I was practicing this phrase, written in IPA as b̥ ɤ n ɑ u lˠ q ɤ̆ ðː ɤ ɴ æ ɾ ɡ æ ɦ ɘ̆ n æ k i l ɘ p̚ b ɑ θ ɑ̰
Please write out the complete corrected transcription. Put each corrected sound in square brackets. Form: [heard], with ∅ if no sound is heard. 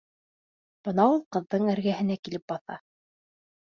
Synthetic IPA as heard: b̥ ɤ n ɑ u lˠ q ɤ̆ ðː ɤ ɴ æ ɾ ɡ æ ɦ ɘ̆ n æ k i l ɘ p̚ b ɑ θ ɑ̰